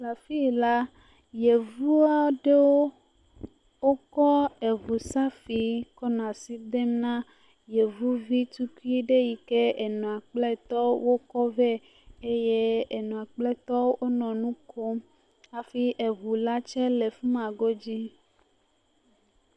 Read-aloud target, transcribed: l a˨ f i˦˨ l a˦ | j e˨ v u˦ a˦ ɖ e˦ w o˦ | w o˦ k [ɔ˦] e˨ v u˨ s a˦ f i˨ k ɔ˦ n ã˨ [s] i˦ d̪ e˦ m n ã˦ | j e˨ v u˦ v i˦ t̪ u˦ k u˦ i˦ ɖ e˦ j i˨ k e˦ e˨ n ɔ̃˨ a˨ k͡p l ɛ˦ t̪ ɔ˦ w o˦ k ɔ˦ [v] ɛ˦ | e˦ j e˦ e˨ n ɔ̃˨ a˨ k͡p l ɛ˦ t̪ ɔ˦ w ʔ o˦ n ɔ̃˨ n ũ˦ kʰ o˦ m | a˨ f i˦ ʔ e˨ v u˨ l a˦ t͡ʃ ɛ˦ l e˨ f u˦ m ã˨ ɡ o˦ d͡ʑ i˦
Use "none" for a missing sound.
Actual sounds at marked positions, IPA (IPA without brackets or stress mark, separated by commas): ɔ˦, s, v